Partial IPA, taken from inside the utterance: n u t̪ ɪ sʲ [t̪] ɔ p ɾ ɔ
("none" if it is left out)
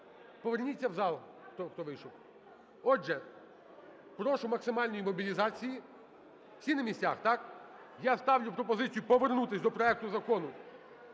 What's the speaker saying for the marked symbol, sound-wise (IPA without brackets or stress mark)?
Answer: d̪